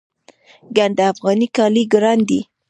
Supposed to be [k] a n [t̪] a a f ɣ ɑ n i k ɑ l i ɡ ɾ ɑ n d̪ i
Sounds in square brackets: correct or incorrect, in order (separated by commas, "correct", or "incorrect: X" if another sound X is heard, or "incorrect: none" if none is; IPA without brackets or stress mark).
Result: incorrect: ɡ, incorrect: d̪